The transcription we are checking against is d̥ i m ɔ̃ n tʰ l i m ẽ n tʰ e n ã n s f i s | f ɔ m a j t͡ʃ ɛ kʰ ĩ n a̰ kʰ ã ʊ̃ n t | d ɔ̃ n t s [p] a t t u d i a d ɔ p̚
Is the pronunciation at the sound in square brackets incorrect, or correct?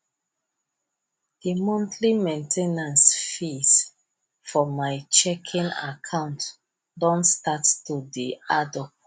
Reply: incorrect